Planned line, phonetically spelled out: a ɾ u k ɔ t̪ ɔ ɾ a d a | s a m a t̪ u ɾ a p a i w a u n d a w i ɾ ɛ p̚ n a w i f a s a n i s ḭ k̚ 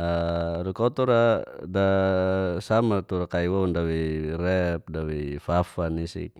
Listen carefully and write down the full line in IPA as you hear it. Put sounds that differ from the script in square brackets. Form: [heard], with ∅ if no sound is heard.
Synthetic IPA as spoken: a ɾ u k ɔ t̪ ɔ ɾ a d a | s a m a t̪ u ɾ a [k] a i w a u n d a w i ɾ ɛ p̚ [d] a w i f a [f] a n i s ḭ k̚

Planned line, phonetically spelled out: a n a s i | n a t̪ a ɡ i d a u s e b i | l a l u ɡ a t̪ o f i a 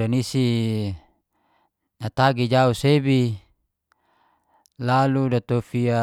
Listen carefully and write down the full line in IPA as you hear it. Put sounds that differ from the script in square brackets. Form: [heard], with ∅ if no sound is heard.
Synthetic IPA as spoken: a n [i] s i | n a t̪ a ɡ i [d͡ʒ] a u s e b i | l a l u [d] a t̪ o f i a

